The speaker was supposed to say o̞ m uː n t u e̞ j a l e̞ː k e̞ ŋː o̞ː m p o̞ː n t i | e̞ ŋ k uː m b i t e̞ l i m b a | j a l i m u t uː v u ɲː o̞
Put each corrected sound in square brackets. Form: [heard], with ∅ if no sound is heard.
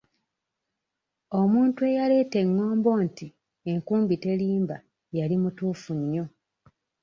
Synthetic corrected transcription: o̞ m uː n t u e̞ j a l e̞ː [t] e̞ ŋː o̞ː m [b] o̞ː n t i | e̞ ŋ k uː m b i t e̞ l [iː] m b a | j a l i m u t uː [f] u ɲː o̞